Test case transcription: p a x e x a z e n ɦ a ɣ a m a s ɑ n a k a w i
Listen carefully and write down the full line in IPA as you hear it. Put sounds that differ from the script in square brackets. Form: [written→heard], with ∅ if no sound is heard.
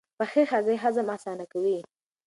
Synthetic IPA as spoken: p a x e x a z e [n→∅] ɦ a [ɣ→z] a m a s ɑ n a k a w i